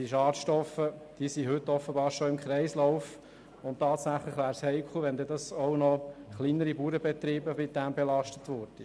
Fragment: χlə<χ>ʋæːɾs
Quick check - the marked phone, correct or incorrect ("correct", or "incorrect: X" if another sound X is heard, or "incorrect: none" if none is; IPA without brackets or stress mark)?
correct